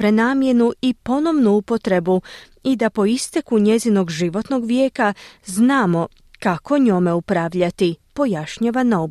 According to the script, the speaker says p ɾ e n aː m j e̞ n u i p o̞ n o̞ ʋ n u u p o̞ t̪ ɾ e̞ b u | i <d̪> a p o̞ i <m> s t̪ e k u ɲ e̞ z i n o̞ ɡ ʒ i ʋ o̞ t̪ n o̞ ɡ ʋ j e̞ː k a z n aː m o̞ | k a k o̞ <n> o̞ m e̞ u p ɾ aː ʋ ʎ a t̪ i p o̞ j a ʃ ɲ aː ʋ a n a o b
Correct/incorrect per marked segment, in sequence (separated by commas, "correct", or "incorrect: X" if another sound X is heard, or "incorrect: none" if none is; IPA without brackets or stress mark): correct, incorrect: none, incorrect: ɲ